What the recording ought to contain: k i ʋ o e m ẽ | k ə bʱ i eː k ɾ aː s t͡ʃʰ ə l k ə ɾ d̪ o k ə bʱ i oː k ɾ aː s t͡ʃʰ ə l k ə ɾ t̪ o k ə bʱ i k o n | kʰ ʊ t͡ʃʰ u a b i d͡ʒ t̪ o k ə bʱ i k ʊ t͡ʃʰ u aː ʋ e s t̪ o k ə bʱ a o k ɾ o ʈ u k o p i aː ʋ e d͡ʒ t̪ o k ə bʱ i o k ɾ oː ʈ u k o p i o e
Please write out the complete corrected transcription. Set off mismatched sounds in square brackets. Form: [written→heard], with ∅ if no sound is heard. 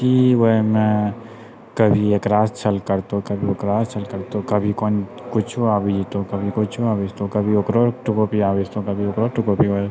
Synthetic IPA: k i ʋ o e m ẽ | k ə bʱ i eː k ɾ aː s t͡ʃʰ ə l k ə ɾ [d̪→t̪] o k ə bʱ i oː k ɾ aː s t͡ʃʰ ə l k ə ɾ t̪ o k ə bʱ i k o n | [kʰ→k] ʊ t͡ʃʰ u a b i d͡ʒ t̪ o k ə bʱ i k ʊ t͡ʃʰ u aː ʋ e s t̪ o k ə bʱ [a→i] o k ɾ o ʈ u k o p i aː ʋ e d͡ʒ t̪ o k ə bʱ i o k ɾ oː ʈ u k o p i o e